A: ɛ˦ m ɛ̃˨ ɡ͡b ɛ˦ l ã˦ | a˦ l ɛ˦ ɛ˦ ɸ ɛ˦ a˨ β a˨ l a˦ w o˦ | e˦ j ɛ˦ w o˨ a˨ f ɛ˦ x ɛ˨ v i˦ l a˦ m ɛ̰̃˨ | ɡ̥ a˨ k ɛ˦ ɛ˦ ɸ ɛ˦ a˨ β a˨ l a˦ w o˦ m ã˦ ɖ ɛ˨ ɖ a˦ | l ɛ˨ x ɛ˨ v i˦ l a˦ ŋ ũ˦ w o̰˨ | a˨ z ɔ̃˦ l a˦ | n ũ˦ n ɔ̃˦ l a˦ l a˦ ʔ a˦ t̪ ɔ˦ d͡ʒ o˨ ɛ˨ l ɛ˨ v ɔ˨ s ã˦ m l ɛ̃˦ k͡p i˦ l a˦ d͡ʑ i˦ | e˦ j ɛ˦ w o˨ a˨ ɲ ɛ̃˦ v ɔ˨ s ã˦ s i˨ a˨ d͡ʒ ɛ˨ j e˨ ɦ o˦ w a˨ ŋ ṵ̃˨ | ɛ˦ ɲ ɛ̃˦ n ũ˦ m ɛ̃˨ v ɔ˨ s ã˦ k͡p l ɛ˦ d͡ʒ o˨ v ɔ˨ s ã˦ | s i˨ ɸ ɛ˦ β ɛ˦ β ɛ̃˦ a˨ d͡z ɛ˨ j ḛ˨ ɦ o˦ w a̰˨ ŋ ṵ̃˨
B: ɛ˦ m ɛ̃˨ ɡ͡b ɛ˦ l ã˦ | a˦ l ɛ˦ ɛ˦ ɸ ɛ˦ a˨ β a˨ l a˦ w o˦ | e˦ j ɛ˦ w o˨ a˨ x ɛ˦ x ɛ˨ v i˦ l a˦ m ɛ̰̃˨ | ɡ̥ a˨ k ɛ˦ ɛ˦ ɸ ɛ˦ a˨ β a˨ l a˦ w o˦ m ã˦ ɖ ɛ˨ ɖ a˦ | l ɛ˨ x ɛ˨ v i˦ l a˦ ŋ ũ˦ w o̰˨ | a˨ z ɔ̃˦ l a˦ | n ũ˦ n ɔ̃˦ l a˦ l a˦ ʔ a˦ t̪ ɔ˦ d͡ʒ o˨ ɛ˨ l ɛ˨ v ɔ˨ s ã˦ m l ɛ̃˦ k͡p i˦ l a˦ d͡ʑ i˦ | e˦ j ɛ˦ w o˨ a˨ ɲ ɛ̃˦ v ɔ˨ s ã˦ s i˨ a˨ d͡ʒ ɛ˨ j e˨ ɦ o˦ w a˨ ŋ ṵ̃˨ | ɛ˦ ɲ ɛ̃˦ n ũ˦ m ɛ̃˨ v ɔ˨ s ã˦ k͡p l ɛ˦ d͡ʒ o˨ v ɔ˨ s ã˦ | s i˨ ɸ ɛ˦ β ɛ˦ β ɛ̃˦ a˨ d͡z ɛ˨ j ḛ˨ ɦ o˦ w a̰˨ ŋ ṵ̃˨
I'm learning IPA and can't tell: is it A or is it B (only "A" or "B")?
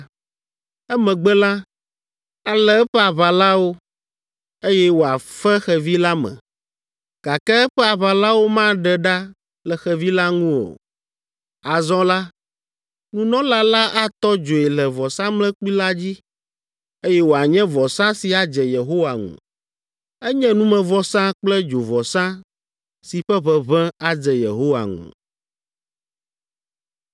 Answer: A